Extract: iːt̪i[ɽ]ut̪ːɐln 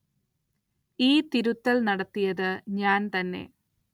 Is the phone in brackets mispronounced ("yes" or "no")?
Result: yes